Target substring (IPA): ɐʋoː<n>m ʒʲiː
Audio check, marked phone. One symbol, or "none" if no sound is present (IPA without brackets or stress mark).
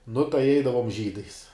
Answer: none